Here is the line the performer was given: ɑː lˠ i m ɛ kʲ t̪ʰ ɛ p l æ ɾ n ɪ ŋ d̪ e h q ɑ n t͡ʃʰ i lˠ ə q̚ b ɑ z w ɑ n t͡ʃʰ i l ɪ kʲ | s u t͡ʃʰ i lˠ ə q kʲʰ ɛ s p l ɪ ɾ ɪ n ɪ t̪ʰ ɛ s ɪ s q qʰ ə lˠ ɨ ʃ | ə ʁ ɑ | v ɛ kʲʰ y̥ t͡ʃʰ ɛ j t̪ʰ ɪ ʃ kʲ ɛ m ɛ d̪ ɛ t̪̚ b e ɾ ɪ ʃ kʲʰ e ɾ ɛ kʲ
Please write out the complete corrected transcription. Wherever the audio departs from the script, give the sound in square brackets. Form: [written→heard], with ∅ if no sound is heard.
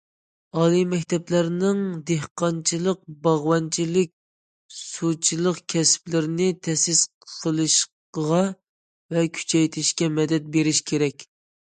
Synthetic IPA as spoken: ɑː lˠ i m ɛ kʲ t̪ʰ ɛ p l æ ɾ n ɪ ŋ d̪ e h q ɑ n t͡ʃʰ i lˠ ə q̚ b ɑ [z→ʁ] w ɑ n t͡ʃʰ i l ɪ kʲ | s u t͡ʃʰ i lˠ ə q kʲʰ ɛ s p l ɪ ɾ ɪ n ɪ t̪ʰ ɛ s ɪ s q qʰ ə lˠ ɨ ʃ | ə ʁ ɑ | v ɛ kʲʰ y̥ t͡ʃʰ ɛ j t̪ʰ ɪ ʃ kʲ ɛ m ɛ d̪ ɛ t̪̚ b e ɾ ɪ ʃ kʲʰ e ɾ ɛ kʲ